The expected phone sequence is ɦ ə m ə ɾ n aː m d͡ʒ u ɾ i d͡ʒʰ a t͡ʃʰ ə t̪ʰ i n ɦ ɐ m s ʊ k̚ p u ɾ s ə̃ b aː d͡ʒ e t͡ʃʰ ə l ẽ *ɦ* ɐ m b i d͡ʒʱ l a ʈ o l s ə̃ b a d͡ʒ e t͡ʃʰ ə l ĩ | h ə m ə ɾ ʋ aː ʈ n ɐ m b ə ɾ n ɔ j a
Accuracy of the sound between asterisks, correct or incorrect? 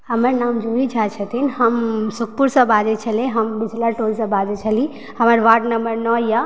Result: correct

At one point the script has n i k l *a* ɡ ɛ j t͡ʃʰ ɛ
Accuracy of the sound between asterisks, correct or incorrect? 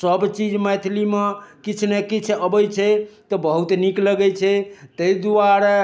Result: incorrect: ə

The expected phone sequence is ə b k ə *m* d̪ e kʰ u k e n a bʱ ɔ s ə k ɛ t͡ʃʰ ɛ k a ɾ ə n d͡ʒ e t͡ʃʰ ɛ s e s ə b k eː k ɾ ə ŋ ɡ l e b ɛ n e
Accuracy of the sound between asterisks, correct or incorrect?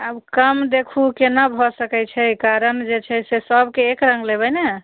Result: correct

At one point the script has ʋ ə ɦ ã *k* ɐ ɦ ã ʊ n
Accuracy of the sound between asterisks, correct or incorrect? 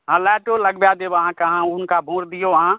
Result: correct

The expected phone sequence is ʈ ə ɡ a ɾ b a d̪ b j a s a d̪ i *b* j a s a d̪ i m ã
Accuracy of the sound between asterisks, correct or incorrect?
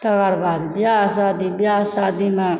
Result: correct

